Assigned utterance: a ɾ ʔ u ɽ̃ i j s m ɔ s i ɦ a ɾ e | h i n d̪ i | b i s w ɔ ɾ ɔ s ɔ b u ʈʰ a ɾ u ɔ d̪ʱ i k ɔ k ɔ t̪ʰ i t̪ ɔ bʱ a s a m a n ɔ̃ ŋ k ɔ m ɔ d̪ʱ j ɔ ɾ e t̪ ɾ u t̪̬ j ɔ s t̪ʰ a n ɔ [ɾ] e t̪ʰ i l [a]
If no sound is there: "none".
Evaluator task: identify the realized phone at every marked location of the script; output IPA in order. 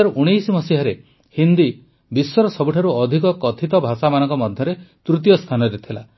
ɾ, a

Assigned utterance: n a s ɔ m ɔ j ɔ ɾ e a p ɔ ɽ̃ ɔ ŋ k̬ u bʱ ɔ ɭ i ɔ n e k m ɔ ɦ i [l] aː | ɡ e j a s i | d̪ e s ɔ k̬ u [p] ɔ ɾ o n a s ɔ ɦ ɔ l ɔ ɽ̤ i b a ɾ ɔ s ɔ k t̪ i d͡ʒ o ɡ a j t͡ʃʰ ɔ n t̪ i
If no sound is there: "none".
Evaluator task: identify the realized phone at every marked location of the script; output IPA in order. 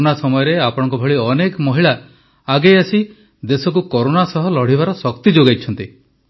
ɭ, k

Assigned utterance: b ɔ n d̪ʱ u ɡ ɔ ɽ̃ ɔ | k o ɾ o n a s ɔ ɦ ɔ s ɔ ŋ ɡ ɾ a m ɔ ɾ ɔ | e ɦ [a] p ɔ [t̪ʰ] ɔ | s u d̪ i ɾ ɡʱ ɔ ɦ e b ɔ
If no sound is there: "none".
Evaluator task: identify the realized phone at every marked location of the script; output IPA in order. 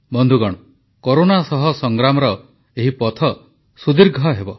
i, t̪ʰ

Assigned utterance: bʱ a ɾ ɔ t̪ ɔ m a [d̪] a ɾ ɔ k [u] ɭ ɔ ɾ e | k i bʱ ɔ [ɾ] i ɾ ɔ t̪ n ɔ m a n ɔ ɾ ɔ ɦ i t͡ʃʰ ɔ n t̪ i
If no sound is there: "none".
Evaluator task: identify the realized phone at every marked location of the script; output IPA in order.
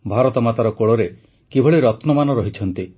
t̪, o, ɭ

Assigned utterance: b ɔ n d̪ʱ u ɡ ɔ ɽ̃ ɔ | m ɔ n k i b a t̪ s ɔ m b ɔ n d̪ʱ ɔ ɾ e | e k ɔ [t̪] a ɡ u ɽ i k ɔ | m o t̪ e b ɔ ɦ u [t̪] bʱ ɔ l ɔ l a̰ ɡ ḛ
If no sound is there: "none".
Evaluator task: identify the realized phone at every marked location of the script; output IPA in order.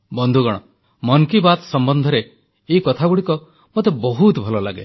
t̪ʰ, t̪

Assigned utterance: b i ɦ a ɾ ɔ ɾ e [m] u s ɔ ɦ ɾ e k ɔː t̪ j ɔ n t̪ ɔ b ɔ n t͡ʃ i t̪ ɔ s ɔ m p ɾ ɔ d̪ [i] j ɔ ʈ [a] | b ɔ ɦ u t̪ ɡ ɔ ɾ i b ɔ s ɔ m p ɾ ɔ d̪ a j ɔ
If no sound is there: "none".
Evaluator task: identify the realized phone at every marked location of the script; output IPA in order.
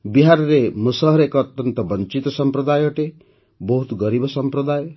m, a, e

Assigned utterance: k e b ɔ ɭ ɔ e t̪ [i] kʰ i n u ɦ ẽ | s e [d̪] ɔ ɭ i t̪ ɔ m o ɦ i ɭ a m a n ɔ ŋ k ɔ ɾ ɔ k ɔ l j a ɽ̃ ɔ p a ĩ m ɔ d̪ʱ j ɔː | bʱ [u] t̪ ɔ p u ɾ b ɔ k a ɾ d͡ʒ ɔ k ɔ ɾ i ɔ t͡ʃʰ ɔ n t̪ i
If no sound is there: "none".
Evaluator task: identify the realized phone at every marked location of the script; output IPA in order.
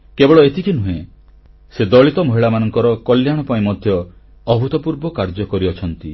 i, d̪, u

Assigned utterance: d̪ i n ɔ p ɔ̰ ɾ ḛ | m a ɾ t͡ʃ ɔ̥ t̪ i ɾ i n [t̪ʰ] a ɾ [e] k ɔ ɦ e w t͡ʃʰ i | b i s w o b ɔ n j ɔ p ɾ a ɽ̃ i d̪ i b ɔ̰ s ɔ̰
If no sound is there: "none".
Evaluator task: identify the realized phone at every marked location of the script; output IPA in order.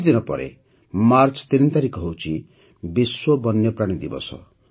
t̪, i

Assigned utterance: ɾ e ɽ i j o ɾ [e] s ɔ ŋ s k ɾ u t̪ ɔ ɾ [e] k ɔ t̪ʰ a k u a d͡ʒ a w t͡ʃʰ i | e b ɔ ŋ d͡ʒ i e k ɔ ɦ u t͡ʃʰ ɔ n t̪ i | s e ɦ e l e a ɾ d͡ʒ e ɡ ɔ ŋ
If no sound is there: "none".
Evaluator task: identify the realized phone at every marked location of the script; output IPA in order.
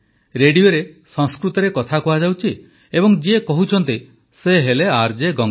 e, e

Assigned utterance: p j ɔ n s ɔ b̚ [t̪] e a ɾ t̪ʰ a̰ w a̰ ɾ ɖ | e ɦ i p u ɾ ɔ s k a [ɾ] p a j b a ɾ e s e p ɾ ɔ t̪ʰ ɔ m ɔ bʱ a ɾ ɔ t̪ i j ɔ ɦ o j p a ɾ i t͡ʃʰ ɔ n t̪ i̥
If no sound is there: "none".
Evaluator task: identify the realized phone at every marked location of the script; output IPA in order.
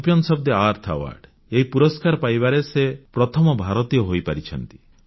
d̪, ɾ

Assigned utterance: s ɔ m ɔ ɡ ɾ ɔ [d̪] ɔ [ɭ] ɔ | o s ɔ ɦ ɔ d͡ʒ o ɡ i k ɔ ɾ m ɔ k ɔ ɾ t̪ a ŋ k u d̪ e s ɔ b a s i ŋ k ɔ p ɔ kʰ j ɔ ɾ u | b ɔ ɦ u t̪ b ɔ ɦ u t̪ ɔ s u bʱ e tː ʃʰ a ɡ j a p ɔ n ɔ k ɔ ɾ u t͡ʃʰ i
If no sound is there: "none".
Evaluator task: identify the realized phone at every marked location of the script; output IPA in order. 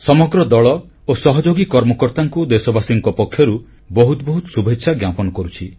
d̪, ɭ

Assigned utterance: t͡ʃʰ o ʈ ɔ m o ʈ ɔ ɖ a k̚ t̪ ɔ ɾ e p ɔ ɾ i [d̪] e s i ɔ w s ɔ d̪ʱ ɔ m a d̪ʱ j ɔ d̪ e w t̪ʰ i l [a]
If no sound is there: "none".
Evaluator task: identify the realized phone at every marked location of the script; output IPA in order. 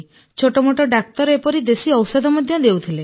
d̪, e

